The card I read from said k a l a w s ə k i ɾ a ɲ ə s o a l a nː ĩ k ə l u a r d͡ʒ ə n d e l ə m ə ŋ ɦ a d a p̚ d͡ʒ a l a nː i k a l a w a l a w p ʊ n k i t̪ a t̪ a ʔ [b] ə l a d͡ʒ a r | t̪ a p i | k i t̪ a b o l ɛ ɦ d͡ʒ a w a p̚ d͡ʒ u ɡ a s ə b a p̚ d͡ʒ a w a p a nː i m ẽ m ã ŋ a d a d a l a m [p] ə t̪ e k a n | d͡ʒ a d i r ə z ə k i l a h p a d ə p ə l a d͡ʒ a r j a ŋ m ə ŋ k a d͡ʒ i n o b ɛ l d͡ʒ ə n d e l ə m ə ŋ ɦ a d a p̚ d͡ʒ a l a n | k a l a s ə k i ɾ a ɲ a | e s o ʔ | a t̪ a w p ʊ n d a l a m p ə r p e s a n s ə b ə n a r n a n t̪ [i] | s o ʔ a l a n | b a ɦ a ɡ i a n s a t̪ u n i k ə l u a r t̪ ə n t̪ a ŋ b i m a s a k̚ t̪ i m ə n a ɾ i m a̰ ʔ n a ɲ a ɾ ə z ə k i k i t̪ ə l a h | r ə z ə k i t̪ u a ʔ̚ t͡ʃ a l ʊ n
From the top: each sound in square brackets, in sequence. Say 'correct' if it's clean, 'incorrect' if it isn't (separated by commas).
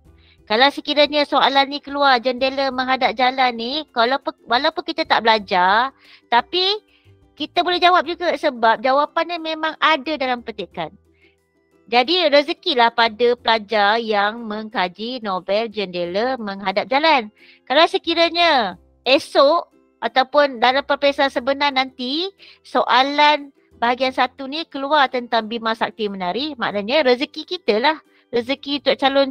correct, correct, correct